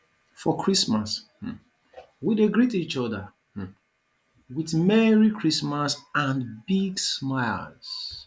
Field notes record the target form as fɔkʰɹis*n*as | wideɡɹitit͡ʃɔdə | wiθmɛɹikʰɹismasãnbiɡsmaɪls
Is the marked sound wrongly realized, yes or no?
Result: yes